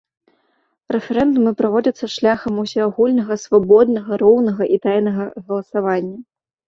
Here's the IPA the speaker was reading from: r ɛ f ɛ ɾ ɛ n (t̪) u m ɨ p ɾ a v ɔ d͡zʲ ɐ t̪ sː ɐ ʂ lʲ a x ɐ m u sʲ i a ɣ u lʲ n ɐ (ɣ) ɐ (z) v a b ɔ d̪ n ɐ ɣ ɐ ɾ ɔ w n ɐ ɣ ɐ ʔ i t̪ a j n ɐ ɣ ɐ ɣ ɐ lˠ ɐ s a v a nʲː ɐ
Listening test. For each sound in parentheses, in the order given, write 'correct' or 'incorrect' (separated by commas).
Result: incorrect, correct, incorrect